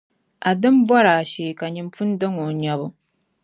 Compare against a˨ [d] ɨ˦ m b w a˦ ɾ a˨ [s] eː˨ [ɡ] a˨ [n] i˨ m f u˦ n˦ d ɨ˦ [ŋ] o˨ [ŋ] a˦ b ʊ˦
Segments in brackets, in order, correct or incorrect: correct, incorrect, incorrect, incorrect, correct, incorrect

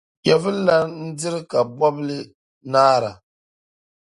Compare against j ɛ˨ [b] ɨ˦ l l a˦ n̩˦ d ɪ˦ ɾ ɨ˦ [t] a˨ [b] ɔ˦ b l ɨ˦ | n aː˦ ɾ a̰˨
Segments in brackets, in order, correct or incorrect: incorrect, incorrect, correct

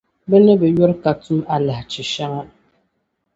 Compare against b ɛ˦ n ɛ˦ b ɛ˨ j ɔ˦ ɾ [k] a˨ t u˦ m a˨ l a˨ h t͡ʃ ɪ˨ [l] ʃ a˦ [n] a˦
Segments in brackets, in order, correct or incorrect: correct, incorrect, incorrect

